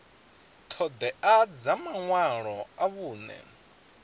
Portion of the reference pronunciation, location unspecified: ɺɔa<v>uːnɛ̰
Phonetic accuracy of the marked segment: incorrect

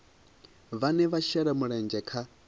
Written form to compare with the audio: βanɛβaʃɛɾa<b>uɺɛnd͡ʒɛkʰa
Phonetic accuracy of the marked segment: incorrect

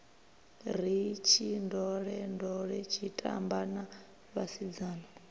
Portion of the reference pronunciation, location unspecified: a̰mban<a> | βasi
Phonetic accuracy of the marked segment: correct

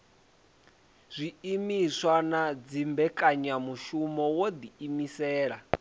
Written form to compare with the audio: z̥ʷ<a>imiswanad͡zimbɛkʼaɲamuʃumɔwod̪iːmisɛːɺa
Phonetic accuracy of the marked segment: incorrect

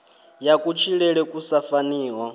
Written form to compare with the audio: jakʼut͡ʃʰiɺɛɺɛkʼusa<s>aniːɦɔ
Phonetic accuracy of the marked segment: incorrect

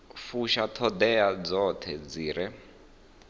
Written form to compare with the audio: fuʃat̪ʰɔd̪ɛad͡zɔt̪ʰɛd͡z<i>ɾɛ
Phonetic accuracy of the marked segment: incorrect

